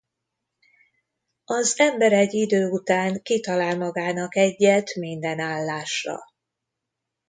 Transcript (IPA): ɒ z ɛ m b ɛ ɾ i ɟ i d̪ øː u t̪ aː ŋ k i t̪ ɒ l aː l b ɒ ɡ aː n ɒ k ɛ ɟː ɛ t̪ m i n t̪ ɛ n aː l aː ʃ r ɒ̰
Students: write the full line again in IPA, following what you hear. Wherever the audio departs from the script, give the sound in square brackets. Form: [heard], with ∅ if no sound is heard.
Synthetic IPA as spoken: ɒ z ɛ m b ɛ ɾ [ɛ] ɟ i d̪ øː u t̪ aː ŋ k i t̪ ɒ l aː l [m] ɒ ɡ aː n ɒ k ɛ ɟː ɛ t̪ m i n [d̪] ɛ n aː [lː] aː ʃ r ɒ̰